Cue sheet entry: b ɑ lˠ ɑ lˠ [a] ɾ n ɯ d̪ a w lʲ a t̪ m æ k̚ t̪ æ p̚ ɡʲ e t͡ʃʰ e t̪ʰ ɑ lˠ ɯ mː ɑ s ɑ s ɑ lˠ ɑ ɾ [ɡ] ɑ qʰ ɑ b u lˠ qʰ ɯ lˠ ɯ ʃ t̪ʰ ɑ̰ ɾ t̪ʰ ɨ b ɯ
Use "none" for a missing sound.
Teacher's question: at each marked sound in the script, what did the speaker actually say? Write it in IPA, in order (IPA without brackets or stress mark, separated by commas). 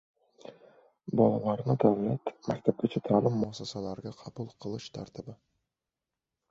ɑ, ɡ